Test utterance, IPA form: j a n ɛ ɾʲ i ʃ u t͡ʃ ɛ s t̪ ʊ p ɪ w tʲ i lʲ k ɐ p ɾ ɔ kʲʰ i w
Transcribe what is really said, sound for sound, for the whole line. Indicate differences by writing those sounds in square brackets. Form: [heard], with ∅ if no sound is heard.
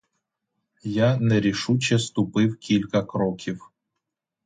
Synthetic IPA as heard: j a n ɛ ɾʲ i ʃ u t͡ʃ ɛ s t̪ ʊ p ɪ w [kʲ] i lʲ k ɐ [k] ɾ ɔ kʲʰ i w